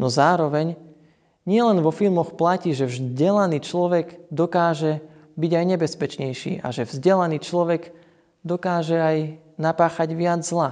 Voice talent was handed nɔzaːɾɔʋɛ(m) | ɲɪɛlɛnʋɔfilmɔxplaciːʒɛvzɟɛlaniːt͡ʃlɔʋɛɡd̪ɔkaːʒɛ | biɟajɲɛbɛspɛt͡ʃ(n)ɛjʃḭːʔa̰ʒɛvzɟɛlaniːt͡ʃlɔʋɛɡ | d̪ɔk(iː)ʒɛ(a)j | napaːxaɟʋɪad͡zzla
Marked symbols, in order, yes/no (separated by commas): no, no, no, yes